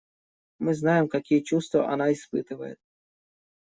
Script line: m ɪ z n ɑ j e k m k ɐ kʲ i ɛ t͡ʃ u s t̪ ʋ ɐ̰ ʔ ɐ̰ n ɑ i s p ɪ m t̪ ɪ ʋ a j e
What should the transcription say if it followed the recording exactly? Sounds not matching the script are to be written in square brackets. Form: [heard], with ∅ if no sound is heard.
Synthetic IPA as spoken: m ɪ z n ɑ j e [∅] m k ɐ kʲ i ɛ t͡ʃ u s t̪ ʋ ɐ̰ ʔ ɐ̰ n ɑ i s p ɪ [∅] t̪ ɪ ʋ [ɐ] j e

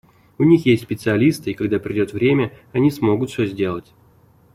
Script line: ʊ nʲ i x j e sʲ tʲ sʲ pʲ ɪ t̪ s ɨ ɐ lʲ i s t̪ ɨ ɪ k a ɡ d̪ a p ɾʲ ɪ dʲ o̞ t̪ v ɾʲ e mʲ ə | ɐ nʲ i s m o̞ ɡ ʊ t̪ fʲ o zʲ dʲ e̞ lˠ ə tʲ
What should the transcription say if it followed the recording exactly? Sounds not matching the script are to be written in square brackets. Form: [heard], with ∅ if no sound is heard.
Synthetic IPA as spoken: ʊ nʲ i x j e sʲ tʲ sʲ pʲ ɪ t̪ s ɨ ɐ lʲ i s t̪ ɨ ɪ k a ɡ d̪ a p ɾʲ ɪ dʲ o̞ t̪ v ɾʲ e mʲ ə | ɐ nʲ i s m o̞ ɡ ʊ t̪ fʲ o zʲ dʲ e̞ lˠ ə tʲ

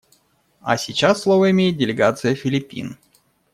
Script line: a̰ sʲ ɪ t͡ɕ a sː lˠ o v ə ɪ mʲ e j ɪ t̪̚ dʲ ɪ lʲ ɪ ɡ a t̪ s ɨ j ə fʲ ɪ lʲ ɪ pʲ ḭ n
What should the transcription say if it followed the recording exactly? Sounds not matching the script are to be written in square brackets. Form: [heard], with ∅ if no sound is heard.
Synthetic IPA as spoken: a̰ sʲ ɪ t͡ɕ a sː lˠ o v ə ɪ mʲ e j ɪ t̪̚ dʲ ɪ lʲ ɪ ɡ a t̪ s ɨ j ə fʲ ɪ lʲ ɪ pʲ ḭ n

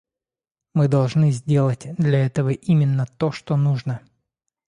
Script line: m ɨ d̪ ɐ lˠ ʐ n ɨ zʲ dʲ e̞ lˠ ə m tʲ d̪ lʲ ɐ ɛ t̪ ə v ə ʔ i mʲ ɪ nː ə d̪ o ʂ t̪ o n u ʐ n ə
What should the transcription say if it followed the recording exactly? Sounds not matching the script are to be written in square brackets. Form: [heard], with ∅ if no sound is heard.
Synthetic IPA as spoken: m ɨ d̪ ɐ lˠ ʐ n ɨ zʲ dʲ e̞ lˠ ə [∅] tʲ d̪ lʲ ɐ ɛ t̪ ə v ə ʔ i mʲ ɪ nː ə [t̪] o ʂ t̪ o n u ʐ n ə

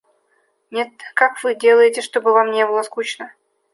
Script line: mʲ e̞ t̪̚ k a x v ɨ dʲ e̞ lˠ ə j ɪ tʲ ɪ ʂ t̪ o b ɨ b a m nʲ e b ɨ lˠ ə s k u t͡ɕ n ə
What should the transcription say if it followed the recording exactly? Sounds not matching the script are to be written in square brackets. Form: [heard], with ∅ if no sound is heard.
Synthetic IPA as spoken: [nʲ] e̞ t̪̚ k a [k] v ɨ dʲ e̞ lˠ ə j ɪ tʲ ɪ ʂ t̪ o b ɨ [v] a m nʲ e b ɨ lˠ ə s k u t͡ɕ n ə

